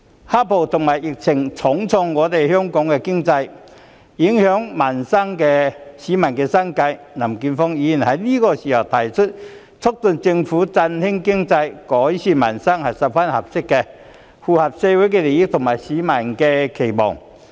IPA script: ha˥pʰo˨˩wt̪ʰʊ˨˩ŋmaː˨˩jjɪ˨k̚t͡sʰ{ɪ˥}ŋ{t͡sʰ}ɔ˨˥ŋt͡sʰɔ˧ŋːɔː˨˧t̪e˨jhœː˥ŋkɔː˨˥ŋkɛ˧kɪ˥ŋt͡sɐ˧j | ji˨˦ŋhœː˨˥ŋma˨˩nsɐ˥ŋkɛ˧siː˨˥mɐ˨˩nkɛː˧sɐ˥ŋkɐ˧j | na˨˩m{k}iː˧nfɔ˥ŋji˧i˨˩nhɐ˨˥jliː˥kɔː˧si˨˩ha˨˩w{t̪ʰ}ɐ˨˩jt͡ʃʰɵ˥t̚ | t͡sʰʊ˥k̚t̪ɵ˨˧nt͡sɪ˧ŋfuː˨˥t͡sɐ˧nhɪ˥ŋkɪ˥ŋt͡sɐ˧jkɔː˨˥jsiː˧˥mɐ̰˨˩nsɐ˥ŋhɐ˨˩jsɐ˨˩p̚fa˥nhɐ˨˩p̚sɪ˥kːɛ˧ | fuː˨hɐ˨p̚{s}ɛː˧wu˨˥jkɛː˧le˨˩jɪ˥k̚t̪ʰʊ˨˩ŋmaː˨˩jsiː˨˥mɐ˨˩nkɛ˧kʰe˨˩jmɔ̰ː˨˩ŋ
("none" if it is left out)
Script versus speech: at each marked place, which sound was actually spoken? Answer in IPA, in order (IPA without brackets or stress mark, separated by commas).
ɪ˨˩, t͡sʰ, k, t̪ʰ, s